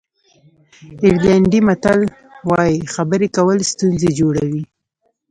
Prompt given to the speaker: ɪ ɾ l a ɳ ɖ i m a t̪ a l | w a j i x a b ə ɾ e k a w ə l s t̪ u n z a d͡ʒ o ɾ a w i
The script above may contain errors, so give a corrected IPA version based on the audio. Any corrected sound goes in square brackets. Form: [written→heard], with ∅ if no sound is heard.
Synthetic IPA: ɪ ɾ l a ɳ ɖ i m a t̪ a l | w [a→ɑ] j i x a b ə ɾ e k a w ə l s t̪ u n z [a→e] d͡ʒ o [ɾ→ɽ] a w i